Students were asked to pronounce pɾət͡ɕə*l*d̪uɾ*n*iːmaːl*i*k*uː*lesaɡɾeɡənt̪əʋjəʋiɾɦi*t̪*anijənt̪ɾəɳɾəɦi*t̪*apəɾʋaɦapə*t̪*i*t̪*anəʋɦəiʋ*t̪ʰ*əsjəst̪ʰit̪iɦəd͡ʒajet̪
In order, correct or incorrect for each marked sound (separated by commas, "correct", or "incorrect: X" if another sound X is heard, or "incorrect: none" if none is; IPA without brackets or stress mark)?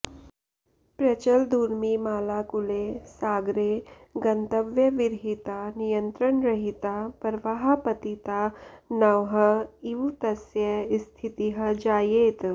correct, incorrect: m, incorrect: a, incorrect: u, correct, correct, correct, correct, incorrect: t̪